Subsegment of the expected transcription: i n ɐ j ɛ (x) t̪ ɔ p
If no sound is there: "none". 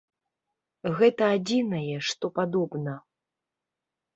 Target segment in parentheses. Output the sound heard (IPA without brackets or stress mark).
ʂ